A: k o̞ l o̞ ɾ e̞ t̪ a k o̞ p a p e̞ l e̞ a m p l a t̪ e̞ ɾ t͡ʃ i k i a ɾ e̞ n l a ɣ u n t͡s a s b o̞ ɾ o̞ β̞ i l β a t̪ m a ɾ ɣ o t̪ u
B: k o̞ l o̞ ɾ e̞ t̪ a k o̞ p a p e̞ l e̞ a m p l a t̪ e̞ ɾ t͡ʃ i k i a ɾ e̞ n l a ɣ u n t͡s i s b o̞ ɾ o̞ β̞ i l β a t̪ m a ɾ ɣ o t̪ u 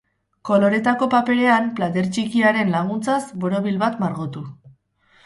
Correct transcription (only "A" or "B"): A